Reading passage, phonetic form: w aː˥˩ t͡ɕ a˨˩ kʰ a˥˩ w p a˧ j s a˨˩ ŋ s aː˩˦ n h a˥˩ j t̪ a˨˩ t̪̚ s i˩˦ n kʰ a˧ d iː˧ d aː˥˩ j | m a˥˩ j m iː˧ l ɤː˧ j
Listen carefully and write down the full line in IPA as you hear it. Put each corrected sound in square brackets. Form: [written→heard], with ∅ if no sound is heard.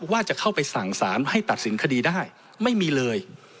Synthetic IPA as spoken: w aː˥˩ t͡ɕ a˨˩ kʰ a˥˩ w p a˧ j s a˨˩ ŋ s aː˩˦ n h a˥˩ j t̪ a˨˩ t̪̚ s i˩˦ n kʰ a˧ d iː˧ d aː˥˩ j | m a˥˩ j m iː˧ l ɤː˧ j